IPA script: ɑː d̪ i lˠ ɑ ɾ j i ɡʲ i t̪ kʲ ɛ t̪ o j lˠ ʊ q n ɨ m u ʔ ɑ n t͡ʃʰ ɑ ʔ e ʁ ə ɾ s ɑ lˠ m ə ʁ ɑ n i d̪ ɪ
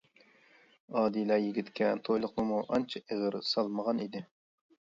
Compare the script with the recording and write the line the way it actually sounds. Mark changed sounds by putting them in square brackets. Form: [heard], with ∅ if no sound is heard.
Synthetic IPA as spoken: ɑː d̪ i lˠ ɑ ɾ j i ɡʲ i t̪ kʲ ɛ [t̪ʰ] o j lˠ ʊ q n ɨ m u ʔ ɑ n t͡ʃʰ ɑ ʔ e ʁ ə ɾ s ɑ lˠ m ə ʁ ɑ n i d̪ ɪ